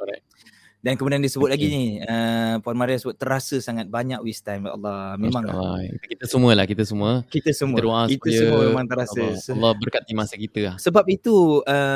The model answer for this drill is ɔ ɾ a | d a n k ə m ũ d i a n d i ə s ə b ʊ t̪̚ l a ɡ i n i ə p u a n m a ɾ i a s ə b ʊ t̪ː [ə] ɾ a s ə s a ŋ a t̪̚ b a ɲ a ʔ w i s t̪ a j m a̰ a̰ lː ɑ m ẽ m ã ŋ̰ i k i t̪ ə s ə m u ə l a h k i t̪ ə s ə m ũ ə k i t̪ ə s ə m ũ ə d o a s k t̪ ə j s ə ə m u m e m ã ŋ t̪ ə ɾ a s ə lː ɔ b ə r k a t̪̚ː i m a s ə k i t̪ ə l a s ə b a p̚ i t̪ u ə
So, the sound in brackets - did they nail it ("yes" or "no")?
yes